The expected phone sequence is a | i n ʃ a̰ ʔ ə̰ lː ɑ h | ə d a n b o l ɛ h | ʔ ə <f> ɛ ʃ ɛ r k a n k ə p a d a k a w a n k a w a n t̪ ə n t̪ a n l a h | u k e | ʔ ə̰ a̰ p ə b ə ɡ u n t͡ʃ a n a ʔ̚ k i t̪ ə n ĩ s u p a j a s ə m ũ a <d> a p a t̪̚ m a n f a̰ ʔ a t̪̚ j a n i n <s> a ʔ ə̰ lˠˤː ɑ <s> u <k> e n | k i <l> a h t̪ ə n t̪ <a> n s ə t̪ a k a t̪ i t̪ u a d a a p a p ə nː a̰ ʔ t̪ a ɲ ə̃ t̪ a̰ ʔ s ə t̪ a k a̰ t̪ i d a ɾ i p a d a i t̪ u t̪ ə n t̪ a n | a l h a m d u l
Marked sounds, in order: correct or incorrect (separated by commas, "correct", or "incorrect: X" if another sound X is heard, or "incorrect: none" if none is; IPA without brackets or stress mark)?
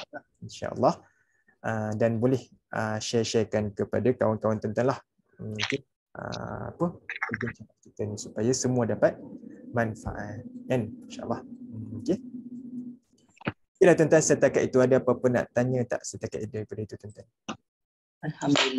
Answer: incorrect: ʃ, correct, incorrect: ʃ, incorrect: h, correct, correct, correct